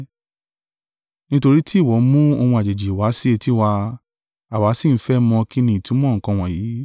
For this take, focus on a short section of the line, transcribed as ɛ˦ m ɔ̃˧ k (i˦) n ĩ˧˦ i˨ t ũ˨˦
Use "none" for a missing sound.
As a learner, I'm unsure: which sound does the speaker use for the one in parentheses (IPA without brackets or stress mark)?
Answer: i˦